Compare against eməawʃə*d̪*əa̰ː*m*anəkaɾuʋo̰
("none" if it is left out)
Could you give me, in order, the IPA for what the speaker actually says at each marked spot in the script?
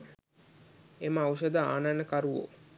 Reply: d̪, n

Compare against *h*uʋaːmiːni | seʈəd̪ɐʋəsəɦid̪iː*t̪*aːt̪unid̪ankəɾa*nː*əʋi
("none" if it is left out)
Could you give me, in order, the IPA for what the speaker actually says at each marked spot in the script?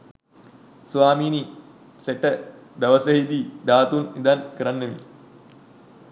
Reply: s, d̪, nː

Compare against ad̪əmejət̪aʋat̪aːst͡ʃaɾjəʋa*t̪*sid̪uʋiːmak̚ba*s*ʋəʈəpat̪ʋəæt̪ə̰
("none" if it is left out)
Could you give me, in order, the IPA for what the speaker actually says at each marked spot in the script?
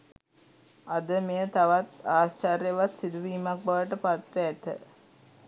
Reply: t̪, none

